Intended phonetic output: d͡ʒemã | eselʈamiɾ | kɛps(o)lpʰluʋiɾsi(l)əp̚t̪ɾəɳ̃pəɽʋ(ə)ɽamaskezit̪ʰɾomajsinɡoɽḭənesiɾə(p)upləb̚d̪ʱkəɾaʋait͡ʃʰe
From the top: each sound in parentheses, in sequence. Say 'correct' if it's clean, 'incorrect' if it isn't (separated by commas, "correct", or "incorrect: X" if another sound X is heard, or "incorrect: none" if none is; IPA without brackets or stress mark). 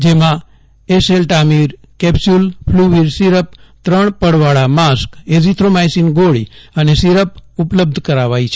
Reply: incorrect: u, incorrect: ɾ, incorrect: a, correct